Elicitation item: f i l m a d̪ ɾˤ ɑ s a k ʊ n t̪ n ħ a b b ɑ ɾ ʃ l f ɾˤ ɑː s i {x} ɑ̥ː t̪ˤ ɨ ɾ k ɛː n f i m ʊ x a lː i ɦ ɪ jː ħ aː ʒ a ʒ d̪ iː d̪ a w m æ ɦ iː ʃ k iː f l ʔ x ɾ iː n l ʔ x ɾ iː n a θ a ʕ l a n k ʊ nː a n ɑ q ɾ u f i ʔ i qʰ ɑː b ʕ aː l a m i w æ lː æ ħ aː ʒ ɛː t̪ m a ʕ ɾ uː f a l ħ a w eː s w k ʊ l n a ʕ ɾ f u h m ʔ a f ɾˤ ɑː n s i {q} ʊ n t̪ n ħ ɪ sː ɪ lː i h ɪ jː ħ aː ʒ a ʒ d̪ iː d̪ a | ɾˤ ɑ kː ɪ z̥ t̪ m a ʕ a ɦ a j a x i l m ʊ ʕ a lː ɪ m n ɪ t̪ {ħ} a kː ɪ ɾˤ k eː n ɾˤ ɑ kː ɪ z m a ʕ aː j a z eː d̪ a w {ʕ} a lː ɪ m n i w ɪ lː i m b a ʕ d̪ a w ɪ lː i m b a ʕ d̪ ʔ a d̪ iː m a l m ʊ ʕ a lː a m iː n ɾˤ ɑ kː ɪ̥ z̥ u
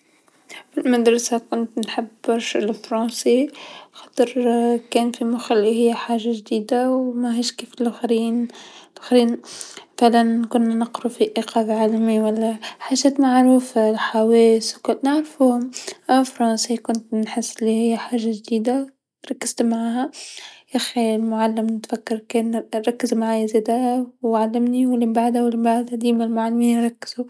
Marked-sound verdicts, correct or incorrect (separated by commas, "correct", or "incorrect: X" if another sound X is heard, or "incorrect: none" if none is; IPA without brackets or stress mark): correct, incorrect: k, incorrect: f, correct